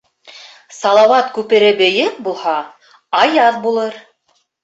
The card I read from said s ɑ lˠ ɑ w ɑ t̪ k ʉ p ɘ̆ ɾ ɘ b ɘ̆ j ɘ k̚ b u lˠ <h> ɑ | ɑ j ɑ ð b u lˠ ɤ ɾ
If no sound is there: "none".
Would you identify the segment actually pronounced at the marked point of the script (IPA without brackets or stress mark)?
h